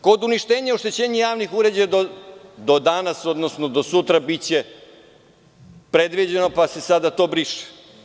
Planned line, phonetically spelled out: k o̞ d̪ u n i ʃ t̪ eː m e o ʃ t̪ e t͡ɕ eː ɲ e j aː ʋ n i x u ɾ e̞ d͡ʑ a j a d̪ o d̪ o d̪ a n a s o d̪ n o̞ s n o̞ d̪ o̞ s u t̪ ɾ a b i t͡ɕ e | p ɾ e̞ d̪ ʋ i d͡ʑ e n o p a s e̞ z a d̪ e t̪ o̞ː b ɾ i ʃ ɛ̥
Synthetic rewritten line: k o̞ d̪ u n i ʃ t̪ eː ɲ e o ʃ t̪ e t͡ɕ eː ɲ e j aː ʋ n i x u ɾ e̞ d͡ʑ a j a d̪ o d̪ o d̪ a n a s o d̪ n o̞ s n o̞ d̪ o̞ s u t̪ ɾ a b i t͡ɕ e | p ɾ e̞ d̪ ʋ i d͡ʑ e n o p a s e̞ s a d̪ a t̪ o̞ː b ɾ i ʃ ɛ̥